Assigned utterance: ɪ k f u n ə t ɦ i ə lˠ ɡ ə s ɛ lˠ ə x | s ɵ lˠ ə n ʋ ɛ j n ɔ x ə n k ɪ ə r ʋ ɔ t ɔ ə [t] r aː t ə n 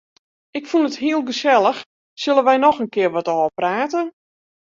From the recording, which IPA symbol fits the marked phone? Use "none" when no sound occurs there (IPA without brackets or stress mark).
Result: p